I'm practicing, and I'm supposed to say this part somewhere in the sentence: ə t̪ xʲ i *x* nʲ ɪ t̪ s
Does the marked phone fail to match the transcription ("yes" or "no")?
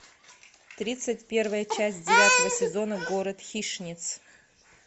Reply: yes